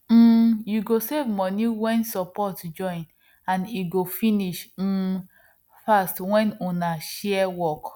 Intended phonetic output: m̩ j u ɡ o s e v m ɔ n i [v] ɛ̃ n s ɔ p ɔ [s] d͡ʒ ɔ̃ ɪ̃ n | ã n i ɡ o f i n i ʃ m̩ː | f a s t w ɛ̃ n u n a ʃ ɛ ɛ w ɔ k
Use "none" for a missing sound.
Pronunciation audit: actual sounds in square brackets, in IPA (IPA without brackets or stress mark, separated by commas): w, t